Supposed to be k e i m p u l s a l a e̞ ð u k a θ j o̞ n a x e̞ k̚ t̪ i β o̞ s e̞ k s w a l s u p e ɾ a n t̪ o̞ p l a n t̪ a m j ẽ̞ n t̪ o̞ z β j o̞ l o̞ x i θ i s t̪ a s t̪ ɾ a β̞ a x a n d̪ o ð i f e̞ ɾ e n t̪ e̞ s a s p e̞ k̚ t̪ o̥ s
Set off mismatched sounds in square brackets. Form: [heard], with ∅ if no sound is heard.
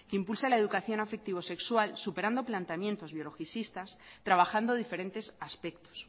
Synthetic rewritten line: k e i m p u l s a l a e̞ ð u k a θ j o̞ n a [f] e̞ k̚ t̪ i β o̞ s e̞ k s w a l s u p e ɾ a n [d̪] o̞ p l a n t̪ a m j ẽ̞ n t̪ o̞ z β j o̞ l o̞ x i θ i s t̪ a s t̪ ɾ a β̞ a x a n d̪ o ð i f e̞ ɾ e n t̪ e̞ s a s p e̞ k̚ t̪ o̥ s